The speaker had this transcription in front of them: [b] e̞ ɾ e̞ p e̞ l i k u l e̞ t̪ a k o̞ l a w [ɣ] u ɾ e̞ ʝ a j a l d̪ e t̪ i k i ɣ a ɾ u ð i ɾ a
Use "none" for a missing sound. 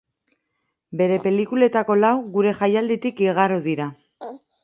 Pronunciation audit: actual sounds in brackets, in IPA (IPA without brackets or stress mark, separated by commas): b, ɣ